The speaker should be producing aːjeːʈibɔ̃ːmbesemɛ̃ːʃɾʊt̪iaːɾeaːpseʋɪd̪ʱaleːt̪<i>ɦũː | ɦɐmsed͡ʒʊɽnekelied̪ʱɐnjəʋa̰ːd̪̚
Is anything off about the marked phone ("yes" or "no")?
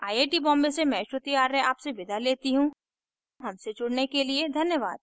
no